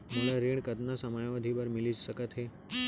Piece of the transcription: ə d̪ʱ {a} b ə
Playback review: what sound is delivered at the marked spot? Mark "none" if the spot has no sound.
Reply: i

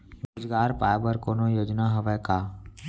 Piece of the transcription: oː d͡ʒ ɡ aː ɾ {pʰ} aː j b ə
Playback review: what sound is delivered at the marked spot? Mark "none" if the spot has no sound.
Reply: p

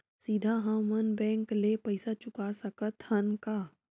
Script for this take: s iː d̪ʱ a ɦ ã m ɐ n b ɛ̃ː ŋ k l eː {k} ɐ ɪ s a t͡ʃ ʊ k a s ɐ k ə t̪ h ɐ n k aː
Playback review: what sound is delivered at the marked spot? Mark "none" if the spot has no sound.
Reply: p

